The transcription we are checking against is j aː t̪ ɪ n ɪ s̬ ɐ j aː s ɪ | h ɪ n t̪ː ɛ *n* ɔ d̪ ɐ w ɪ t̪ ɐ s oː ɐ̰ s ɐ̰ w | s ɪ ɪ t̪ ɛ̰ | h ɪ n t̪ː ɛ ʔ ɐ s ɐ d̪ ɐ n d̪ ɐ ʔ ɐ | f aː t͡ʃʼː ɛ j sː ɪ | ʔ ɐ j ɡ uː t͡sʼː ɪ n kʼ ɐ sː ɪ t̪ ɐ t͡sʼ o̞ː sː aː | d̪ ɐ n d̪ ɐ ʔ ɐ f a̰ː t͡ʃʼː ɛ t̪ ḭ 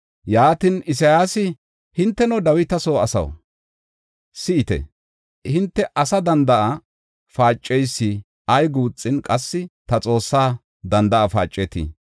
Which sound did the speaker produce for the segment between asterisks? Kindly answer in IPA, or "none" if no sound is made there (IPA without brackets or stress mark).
n